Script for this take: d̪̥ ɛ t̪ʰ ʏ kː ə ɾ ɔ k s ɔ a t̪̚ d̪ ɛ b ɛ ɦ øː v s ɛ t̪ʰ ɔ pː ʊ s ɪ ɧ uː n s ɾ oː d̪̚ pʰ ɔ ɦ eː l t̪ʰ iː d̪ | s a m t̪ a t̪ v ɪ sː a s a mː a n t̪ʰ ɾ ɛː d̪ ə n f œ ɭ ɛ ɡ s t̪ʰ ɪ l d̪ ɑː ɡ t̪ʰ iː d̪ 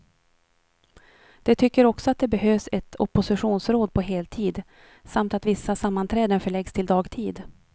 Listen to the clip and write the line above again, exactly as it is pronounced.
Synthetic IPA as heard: d̪̥ ɛ t̪ʰ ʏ kː ə ɾ ɔ k s ɔ a t̪̚ d̪ ɛ b ɛ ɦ øː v s ɛ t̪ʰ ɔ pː ʊ s ɪ ɧ uː n s ɾ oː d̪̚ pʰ ɔ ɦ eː l t̪ʰ iː d̪ | s a m t̪ a t̪ v ɪ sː a s a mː a n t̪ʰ ɾ ɛː d̪ ə n f œ ɭ ɛ ɡ s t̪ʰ ɪ l d̪ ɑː ɡ t̪ʰ iː d̪